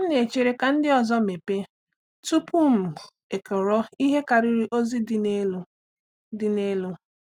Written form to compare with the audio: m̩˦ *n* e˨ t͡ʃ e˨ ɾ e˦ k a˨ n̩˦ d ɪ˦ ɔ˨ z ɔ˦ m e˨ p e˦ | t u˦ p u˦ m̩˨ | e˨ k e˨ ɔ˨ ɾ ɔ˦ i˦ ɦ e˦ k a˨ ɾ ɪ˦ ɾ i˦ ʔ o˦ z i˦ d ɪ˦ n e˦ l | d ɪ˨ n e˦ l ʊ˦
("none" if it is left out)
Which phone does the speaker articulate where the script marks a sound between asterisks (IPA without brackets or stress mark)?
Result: n